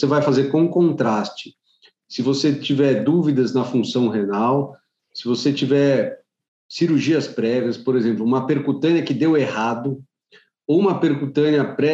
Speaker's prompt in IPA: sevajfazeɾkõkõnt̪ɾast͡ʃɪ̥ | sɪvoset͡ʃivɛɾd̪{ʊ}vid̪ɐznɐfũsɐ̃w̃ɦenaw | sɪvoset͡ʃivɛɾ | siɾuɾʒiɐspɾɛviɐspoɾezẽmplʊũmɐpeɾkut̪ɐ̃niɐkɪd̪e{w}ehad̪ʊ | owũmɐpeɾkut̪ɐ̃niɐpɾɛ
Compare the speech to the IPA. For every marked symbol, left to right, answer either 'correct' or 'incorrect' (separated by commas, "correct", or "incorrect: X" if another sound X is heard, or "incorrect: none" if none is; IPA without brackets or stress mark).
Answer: incorrect: u, correct